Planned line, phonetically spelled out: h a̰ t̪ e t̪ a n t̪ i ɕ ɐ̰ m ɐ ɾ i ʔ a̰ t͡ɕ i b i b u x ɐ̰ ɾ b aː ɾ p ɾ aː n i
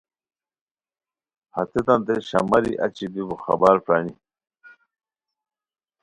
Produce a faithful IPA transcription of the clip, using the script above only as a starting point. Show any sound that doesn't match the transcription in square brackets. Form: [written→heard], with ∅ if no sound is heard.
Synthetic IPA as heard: h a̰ t̪ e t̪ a n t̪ [i→e] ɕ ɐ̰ m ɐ ɾ i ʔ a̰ t͡ɕ i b i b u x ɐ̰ [ɾ→∅] b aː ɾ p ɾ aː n i